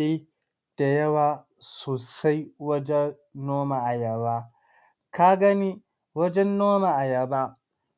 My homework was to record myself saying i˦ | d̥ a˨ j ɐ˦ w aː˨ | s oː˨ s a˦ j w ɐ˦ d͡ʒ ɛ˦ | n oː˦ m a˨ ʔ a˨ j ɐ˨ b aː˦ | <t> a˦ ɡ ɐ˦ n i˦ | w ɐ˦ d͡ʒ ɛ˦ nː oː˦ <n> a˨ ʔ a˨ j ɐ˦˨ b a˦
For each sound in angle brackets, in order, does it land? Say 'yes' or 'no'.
no, no

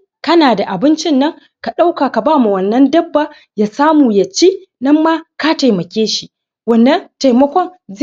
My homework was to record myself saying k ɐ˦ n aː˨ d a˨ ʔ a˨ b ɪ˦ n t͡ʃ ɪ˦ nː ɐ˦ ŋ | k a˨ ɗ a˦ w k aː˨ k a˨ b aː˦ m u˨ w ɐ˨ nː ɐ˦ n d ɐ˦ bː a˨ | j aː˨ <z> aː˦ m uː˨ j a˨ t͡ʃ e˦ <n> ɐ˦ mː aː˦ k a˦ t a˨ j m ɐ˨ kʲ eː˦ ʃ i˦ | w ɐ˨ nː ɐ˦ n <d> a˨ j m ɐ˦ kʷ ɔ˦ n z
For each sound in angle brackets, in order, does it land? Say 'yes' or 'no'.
no, yes, no

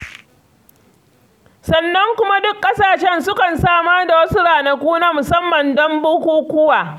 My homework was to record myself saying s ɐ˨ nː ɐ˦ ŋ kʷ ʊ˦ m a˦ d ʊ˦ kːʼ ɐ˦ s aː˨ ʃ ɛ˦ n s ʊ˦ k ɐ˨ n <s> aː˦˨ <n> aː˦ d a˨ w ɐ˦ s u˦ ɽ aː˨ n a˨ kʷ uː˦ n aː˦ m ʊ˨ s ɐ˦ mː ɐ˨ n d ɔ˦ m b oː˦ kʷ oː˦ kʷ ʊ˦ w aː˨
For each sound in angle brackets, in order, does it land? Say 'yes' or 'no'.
yes, no

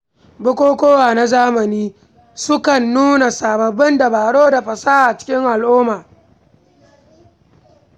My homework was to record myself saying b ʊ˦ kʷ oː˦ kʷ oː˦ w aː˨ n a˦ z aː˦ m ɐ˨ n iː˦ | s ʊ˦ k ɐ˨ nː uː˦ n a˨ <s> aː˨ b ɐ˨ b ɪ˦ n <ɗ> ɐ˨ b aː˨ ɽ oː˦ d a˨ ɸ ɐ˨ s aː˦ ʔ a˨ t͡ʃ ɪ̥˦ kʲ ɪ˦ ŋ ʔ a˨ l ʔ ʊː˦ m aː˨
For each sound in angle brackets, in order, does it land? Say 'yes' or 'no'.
yes, no

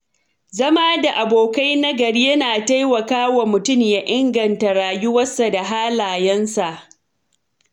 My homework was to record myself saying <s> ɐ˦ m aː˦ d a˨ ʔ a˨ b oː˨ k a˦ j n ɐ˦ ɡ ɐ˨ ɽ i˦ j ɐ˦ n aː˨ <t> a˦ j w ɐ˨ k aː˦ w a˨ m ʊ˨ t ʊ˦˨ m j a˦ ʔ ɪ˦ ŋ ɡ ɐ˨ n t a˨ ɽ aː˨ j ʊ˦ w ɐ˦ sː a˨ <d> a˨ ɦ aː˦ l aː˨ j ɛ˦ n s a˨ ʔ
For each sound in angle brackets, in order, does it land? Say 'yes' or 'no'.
no, yes, yes

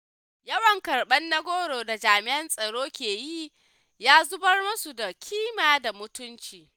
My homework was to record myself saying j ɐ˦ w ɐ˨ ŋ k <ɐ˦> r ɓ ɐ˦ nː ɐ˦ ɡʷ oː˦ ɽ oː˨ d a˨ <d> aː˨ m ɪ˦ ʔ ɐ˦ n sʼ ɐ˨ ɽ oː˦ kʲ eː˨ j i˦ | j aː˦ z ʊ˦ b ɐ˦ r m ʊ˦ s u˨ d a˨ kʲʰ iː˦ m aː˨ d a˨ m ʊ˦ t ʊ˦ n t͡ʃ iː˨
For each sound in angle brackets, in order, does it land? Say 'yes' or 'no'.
no, no

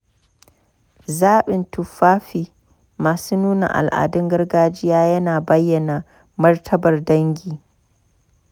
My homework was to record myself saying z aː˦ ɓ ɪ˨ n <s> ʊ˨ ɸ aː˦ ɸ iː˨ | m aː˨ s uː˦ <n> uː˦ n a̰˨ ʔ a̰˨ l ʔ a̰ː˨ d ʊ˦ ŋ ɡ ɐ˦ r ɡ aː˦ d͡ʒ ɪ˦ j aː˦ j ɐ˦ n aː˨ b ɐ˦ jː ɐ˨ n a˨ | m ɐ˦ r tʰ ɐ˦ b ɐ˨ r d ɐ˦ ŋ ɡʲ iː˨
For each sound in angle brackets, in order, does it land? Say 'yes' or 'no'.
no, yes

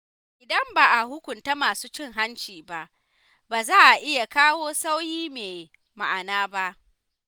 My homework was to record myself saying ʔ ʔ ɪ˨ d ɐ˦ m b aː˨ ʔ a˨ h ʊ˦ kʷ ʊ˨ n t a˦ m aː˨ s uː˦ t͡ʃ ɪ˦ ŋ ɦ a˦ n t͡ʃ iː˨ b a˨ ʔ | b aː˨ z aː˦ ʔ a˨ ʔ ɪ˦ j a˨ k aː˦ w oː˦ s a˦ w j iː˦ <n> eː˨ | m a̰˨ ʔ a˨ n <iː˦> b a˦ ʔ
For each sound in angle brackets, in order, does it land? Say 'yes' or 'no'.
no, no

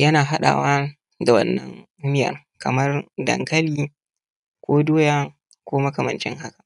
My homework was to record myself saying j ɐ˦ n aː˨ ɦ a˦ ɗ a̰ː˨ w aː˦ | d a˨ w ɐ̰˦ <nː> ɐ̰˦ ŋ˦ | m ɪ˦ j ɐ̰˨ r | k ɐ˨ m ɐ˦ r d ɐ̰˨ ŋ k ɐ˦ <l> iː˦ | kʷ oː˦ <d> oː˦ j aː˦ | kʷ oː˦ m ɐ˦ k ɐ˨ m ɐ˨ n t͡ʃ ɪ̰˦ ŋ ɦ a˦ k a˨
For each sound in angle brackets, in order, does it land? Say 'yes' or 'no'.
yes, yes, yes

